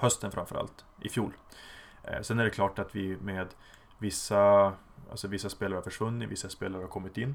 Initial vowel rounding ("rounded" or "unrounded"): rounded